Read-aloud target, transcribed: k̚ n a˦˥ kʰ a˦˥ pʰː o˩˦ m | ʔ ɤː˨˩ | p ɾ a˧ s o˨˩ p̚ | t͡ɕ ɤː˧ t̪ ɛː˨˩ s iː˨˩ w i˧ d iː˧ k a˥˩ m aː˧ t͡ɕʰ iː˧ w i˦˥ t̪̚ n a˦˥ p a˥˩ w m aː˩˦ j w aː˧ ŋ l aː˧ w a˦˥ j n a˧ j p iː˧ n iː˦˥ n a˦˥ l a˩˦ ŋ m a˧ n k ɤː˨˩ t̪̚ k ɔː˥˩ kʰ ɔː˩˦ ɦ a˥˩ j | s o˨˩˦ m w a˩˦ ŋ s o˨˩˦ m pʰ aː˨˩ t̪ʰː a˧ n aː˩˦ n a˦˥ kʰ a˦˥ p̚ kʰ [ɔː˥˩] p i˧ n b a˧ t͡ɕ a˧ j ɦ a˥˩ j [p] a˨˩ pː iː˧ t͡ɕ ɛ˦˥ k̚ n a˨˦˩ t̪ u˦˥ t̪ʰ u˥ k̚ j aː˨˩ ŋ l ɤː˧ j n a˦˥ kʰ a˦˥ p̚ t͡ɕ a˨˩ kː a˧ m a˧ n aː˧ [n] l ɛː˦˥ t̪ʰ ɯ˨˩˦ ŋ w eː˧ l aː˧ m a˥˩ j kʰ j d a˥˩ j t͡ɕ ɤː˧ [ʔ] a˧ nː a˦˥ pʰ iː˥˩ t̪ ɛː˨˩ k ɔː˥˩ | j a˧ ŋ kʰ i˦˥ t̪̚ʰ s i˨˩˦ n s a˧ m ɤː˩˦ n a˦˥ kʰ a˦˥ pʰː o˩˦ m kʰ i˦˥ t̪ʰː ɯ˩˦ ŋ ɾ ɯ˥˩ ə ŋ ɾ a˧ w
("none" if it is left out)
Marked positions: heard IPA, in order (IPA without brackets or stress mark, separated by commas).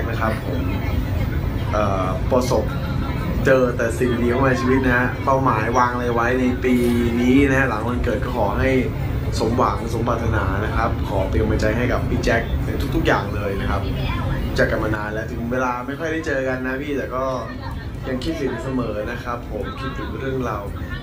ɔː˩˦, k, n, k